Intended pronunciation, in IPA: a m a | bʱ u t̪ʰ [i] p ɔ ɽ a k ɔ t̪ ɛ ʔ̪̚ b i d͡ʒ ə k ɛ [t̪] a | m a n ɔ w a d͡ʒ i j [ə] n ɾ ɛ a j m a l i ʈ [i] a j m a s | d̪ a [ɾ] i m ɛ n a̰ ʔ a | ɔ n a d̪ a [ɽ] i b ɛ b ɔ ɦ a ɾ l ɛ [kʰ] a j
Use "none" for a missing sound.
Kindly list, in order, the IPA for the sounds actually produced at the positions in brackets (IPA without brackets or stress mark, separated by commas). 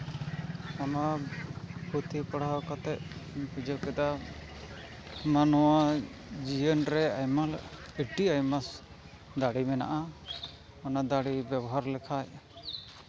i, d̪, ə, i, ɽ, ɽ, kʰ